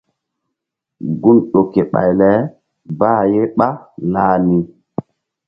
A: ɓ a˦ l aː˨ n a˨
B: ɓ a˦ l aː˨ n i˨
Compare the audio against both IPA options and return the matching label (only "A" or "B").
B